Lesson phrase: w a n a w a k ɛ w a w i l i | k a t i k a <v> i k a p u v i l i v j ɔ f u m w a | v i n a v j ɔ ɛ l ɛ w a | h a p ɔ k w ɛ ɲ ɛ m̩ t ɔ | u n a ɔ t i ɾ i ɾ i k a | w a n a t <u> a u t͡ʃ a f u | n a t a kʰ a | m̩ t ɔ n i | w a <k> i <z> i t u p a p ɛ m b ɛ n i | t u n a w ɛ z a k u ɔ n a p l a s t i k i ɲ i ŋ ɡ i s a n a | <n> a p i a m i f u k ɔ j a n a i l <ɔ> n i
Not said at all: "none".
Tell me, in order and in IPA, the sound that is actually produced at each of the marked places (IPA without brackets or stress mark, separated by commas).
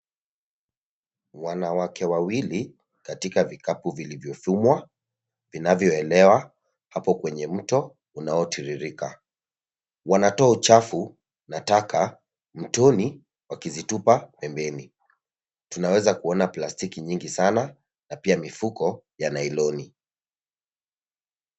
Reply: v, ɔ, k, z, n, ɔ